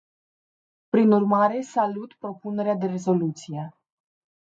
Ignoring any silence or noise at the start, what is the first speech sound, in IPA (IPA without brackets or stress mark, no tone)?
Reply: p